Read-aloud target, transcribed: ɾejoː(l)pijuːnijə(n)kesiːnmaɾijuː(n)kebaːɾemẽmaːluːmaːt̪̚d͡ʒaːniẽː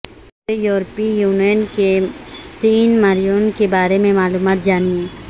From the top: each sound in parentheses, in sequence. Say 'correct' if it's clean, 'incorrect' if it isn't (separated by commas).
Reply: incorrect, correct, correct